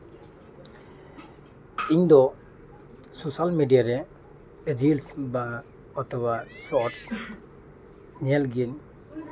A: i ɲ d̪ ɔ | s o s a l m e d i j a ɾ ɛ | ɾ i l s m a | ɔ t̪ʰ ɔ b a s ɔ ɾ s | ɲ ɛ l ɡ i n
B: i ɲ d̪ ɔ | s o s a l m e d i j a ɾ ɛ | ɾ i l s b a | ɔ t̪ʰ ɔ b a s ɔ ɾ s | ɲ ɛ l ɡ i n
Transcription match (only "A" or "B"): B